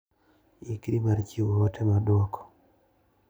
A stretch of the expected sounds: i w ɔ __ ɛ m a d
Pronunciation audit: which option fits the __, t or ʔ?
t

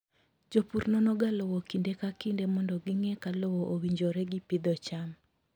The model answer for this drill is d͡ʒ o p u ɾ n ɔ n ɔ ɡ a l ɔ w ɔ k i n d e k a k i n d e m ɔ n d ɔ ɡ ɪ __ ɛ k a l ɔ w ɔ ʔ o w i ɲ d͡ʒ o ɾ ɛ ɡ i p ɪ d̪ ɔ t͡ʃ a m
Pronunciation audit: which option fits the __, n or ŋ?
ŋ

